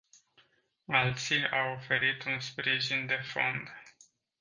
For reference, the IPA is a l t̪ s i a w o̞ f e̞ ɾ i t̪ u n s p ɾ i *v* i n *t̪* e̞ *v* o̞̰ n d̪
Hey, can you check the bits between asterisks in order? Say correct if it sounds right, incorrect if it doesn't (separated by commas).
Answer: incorrect, incorrect, incorrect